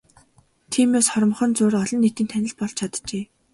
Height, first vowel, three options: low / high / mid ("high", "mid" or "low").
high